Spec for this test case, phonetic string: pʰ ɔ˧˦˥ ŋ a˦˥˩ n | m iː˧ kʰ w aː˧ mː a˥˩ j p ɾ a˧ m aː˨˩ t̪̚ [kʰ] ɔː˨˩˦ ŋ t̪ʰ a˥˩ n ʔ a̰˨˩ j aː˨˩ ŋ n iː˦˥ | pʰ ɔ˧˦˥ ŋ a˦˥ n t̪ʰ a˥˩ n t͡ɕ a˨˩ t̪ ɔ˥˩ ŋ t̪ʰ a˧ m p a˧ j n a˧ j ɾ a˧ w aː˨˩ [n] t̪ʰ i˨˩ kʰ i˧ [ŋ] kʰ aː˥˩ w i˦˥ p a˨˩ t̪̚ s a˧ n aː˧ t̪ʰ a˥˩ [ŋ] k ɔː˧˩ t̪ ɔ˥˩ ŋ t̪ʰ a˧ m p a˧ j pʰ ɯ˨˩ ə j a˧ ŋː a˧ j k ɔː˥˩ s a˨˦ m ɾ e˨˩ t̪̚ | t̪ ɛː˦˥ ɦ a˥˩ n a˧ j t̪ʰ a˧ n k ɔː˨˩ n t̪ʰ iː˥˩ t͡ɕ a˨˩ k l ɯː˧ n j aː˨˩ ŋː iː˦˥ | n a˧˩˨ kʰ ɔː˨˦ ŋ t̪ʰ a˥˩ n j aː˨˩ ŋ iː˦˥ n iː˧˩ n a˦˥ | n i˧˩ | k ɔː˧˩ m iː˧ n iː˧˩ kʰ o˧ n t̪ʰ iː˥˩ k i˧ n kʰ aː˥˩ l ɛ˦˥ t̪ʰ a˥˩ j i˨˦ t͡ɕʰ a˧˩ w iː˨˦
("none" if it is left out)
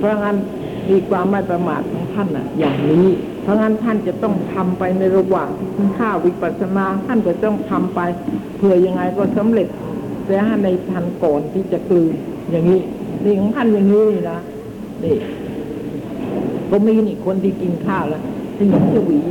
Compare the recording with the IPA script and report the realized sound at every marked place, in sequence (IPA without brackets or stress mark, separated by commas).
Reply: kʰ, ŋ, n, n